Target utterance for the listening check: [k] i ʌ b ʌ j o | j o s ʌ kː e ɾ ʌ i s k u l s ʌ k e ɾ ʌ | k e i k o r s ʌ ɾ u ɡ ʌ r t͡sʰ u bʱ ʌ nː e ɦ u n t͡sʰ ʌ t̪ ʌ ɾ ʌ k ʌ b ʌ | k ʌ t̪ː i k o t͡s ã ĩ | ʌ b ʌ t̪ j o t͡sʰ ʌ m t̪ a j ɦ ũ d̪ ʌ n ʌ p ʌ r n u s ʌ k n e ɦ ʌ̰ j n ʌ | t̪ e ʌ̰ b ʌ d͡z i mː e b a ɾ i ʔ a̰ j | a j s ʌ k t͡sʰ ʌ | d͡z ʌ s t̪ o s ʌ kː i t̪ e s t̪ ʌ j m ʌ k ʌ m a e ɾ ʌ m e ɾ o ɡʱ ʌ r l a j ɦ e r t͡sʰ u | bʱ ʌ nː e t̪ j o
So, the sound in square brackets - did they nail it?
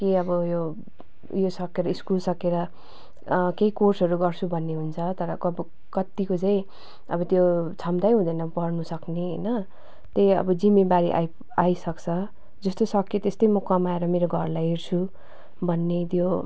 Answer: yes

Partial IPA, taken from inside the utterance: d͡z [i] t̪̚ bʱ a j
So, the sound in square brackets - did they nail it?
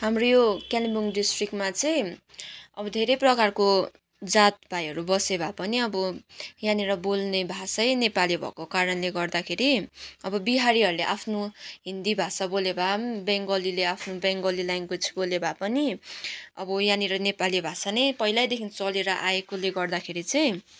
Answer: no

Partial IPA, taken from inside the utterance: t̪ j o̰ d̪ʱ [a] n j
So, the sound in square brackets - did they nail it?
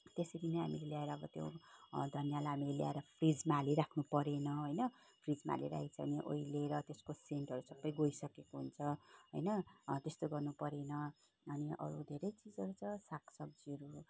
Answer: no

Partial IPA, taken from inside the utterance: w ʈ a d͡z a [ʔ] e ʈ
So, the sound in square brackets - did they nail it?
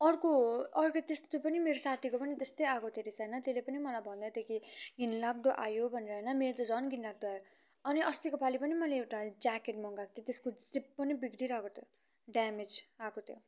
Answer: no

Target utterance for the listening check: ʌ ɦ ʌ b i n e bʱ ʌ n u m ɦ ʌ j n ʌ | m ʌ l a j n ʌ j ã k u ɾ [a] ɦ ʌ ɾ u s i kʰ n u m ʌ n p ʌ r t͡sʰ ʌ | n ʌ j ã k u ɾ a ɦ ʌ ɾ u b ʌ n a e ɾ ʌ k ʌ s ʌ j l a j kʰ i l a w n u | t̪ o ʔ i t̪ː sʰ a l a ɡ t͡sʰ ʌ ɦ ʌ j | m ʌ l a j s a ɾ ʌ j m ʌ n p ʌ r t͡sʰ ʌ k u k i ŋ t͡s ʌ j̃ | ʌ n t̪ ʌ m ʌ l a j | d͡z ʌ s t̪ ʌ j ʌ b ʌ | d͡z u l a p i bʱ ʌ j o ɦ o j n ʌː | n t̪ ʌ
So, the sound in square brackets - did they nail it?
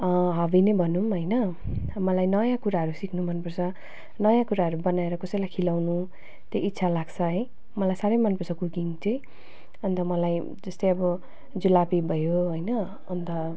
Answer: yes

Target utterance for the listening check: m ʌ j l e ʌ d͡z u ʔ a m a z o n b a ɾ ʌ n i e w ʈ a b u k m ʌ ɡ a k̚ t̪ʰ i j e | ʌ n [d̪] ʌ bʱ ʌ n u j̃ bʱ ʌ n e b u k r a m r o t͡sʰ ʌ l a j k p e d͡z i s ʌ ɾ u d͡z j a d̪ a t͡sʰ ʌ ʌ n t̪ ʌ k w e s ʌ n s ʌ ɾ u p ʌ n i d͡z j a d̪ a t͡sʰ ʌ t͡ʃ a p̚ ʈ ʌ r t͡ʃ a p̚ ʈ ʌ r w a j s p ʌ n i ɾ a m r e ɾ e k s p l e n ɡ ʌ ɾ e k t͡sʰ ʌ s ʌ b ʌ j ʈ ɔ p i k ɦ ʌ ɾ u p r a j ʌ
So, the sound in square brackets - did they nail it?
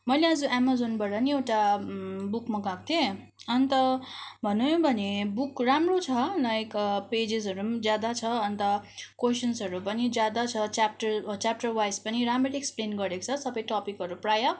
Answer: no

